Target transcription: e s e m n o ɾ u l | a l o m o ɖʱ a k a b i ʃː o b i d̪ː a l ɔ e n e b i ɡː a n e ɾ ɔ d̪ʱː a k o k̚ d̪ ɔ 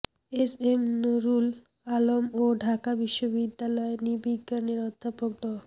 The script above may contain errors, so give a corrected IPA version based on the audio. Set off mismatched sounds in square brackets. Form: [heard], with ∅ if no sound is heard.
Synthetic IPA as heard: e s e m n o ɾ u l | a l o m o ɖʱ a k a b i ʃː o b i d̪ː a l ɔ e n [i] b i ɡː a n e ɾ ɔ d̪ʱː a [p] o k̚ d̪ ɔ

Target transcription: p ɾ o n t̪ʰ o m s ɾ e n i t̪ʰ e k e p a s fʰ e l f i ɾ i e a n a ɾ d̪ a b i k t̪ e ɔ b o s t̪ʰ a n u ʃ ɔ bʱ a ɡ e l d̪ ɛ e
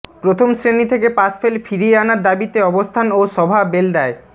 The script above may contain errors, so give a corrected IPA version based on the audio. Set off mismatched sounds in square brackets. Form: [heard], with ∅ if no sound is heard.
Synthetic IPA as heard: p ɾ o [∅] t̪ʰ o m s ɾ e n i t̪ʰ e k e p a s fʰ e l f i ɾ i e a n a ɾ d̪ a b i [∅] t̪ e ɔ b o s t̪ʰ a n [o] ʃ ɔ bʱ a [b] e l d̪ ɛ e

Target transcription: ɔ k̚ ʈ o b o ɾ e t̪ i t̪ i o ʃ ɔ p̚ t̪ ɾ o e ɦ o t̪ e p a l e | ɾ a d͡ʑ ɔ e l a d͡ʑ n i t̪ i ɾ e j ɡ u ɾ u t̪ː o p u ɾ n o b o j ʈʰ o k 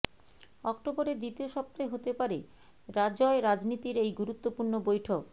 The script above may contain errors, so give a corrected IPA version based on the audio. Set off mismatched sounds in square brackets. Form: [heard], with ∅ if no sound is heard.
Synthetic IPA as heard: ɔ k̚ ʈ o b o ɾ e [d̪] i t̪ i o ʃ ɔ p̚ t̪ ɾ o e ɦ o t̪ e p a [ɾ] e | ɾ a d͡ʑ ɔ e [ɾ] a d͡ʑ n i t̪ i ɾ e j ɡ u ɾ u t̪ː o p u ɾ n o b o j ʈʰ o k

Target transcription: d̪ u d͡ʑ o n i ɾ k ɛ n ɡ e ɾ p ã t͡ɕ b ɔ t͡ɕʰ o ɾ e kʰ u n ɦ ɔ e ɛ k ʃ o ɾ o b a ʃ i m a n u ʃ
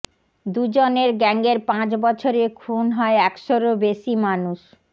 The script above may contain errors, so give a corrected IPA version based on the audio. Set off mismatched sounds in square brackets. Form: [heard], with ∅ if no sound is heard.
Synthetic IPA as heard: d̪ u d͡ʑ o n [e] ɾ [ɡ] ɛ [ŋ] ɡ e ɾ p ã t͡ɕ b ɔ t͡ɕʰ o ɾ e kʰ u n ɦ ɔ e ɛ k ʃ o ɾ o b [e] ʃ i m a n u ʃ

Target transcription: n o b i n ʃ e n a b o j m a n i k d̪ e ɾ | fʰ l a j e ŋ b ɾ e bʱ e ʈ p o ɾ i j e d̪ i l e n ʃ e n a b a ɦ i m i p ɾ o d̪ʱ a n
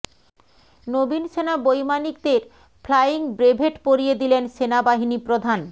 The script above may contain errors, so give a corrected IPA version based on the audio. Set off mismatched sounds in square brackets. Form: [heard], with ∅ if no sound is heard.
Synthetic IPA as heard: n o b i n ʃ e n a b o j m a n i k d̪ e ɾ | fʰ l a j [i] ŋ b ɾ e bʱ e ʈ p o ɾ i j e d̪ i l e n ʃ e n a b a ɦ i [n] i p ɾ o d̪ʱ a n

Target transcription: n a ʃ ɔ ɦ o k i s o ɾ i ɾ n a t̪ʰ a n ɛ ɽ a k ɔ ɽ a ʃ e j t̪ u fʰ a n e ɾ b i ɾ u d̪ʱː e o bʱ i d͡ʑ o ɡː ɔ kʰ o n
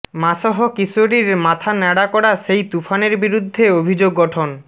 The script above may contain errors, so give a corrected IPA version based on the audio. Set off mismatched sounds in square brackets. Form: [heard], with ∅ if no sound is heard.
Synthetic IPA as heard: [m] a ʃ ɔ ɦ o k i s o ɾ i ɾ [m] a t̪ʰ a n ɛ ɽ a k ɔ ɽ a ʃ e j t̪ u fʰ a n e ɾ b i ɾ u d̪ʱː e o bʱ i d͡ʑ o ɡː ɔ [ʈʰ] o n

